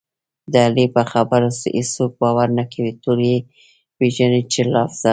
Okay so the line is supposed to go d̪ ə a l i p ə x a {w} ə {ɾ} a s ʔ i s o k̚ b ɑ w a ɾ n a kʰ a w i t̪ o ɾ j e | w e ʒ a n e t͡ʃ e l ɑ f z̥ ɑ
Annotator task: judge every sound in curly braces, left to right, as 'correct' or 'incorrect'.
incorrect, correct

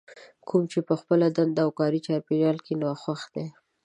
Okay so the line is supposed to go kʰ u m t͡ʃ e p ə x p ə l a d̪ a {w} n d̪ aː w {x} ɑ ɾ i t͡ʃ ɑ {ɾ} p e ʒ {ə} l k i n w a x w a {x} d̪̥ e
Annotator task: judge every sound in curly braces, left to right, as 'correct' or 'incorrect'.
incorrect, incorrect, correct, incorrect, correct

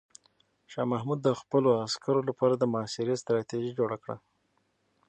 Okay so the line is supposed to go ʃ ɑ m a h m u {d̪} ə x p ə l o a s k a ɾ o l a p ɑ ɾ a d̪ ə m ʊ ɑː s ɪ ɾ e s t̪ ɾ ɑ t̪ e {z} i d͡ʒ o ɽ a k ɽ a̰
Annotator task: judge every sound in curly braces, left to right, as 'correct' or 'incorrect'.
incorrect, incorrect

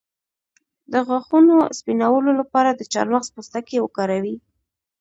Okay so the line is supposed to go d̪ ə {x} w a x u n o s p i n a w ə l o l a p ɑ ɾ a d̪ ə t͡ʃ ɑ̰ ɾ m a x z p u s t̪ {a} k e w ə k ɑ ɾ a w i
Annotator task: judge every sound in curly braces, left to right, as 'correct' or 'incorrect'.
incorrect, correct

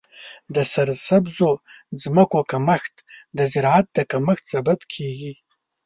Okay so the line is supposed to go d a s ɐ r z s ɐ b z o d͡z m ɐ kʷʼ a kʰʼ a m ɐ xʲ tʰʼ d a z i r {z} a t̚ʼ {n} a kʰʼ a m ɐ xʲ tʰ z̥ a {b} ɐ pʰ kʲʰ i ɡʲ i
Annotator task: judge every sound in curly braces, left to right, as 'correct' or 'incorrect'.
incorrect, incorrect, correct

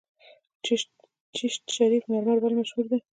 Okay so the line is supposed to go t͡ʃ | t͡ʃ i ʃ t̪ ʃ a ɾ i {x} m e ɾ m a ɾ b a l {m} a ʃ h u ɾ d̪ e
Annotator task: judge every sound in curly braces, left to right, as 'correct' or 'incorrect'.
incorrect, correct

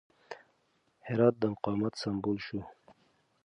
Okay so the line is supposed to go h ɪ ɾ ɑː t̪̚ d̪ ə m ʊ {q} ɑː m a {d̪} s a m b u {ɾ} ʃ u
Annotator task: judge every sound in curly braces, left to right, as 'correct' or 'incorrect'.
correct, incorrect, incorrect

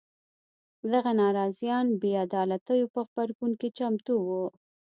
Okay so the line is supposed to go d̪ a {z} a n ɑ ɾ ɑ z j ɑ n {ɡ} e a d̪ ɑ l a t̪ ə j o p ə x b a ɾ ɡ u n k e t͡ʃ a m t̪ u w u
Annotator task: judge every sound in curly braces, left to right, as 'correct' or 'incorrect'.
incorrect, incorrect

